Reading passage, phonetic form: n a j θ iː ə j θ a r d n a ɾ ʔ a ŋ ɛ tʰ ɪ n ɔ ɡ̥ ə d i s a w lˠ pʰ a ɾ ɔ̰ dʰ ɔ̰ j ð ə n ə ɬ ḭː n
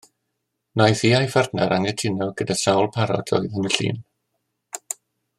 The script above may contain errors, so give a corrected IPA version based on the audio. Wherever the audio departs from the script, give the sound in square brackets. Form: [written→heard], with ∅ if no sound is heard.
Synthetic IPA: n a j θ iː [ə→a] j [θ→f] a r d n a ɾ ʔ a ŋ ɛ tʰ ɪ n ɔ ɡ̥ ə d [i→a] s a w lˠ pʰ a ɾ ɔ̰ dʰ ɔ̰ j ð ə n ə ɬ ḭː n

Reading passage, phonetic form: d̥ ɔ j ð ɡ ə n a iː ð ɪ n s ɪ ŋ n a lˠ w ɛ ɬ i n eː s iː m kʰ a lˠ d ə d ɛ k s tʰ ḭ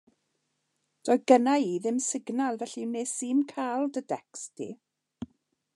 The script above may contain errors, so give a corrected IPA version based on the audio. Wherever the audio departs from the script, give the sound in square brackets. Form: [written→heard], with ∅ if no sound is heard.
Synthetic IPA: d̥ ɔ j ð ɡ ə n a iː ð ɪ [n→m] s ɪ [ŋ→ɡ] n a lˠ [w→v] ɛ ɬ i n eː s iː m kʰ a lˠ d ə d ɛ k s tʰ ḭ

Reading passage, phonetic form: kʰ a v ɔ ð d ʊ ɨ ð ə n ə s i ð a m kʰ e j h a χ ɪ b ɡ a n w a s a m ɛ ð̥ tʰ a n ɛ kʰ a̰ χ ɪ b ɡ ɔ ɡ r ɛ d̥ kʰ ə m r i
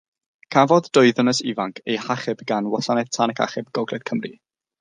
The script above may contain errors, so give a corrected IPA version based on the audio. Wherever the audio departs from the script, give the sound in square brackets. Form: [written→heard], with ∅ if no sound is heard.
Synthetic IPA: kʰ a v ɔ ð d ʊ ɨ ð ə n ə s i [ð→v] a [m→ŋ] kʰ e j h a χ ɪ b ɡ a n w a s a [m→n] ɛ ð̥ tʰ a n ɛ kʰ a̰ χ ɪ b ɡ ɔ ɡ [r→l] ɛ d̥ kʰ ə m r i

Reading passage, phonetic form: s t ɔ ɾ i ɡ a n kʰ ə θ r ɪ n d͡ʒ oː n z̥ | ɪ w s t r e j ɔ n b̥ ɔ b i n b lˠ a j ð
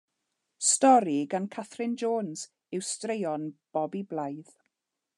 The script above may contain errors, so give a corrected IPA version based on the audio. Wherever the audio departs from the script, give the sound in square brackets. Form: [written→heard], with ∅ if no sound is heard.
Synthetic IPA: s t ɔ ɾ i ɡ a n kʰ [ə→a] θ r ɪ n d͡ʒ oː n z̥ | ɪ w s t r e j ɔ n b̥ ɔ b i [n→∅] b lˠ a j ð

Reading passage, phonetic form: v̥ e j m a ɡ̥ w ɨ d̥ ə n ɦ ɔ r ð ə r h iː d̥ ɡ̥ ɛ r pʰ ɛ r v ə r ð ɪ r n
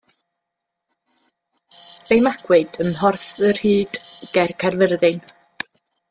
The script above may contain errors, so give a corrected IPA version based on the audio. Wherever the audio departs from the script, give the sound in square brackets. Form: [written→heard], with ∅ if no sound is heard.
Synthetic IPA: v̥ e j m a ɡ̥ w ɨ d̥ ə n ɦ ɔ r [ð→θ] ə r h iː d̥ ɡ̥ ɛ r [pʰ→kʰ] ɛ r v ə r ð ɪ [r→∅] n

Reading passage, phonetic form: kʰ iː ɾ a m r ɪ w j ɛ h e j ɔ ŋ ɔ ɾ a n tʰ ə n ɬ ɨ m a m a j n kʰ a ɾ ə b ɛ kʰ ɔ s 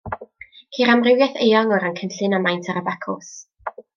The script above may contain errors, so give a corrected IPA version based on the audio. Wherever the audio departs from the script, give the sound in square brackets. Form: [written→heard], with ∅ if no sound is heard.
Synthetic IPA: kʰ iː ɾ a m r ɪ w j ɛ [h→θ] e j ɔ ŋ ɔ ɾ a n [tʰ→kʰ] ə n ɬ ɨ [m→n] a m a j n [kʰ→tʰ] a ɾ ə b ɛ kʰ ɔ s

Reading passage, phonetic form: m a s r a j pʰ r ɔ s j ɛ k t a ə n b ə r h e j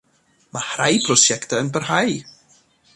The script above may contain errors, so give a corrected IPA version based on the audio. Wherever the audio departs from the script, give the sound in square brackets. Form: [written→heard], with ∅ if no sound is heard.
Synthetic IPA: m a [s→h] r a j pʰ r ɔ s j ɛ k t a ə n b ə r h [e→a] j

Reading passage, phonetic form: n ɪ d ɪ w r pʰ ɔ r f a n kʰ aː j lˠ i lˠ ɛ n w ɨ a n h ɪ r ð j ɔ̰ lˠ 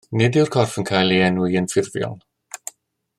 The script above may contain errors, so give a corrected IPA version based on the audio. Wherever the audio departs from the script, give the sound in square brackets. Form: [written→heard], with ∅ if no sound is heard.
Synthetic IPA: n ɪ d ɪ w r [pʰ→kʰ] ɔ r f [a→ə] n kʰ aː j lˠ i [lˠ→∅] ɛ n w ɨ [a→ə] n [h→f] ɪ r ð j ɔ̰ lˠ

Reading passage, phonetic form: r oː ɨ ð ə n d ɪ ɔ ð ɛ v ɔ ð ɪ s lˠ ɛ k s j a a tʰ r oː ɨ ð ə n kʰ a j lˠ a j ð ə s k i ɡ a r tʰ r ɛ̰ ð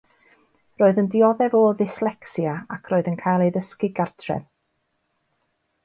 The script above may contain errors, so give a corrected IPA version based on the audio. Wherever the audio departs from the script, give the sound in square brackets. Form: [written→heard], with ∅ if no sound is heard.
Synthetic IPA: r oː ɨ ð ə n d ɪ ɔ ð ɛ v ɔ ð ɪ s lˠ ɛ k s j a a [tʰ→kʰ] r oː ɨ ð ə n kʰ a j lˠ [a→e] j ð ə s k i ɡ a r tʰ r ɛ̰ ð

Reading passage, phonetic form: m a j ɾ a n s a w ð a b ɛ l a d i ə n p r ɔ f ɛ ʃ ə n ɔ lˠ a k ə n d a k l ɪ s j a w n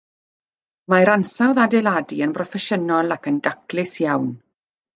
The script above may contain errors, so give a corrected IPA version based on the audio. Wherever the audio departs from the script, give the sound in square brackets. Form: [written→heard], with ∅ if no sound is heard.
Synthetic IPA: m a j ɾ a n s a w ð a [b→d] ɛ l a d i ə n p r ɔ f ɛ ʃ ə n ɔ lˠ a k ə n d a k l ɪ s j a w n

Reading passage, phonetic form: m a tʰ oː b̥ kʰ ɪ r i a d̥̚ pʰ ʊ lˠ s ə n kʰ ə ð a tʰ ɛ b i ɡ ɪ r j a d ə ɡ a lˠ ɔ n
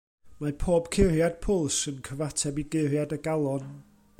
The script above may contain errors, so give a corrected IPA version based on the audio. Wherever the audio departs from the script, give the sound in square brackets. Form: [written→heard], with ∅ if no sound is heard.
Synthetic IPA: m a [tʰ→pʰ] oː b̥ kʰ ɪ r [i→j] a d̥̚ pʰ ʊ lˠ s ə n kʰ ə [ð→v] a tʰ ɛ b i ɡ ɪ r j a d ə ɡ a lˠ ɔ n

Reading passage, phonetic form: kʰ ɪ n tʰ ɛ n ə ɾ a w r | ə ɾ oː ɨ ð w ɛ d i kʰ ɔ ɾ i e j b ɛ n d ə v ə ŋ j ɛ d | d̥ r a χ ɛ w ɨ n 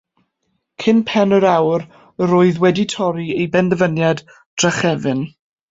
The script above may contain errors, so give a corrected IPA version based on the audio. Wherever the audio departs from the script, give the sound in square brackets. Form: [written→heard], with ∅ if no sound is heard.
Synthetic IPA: kʰ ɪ n [tʰ→pʰ] ɛ n ə ɾ a w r | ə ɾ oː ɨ ð w ɛ d i [kʰ→tʰ] ɔ ɾ i e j b ɛ n d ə v ə [ŋ→n] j [ɛ→a] d | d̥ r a χ ɛ [w→v] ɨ n

